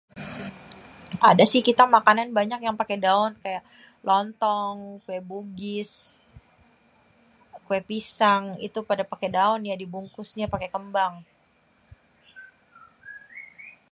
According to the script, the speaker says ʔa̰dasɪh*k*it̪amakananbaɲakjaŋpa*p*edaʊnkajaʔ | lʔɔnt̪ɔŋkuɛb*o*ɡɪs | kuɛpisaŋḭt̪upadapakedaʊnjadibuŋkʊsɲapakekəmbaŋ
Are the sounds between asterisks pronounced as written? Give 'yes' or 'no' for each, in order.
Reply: yes, no, no

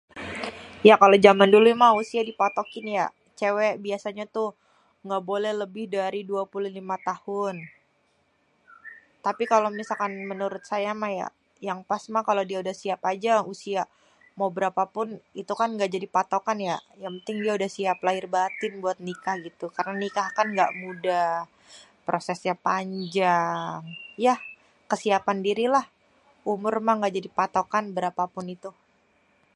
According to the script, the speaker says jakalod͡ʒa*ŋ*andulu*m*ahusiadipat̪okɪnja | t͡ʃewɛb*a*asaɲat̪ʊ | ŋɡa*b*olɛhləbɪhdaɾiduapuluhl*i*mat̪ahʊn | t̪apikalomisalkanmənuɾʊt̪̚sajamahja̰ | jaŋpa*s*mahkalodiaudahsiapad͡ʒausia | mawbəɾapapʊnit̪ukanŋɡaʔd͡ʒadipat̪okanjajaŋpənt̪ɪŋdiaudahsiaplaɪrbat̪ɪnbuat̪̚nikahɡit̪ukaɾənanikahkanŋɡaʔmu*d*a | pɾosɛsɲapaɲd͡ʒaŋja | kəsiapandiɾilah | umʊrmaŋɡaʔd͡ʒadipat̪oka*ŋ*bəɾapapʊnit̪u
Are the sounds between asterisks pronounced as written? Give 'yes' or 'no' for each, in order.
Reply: no, yes, no, yes, yes, yes, yes, no

